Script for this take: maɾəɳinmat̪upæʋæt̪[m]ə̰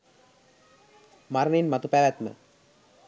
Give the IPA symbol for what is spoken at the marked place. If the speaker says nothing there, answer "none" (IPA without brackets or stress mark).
m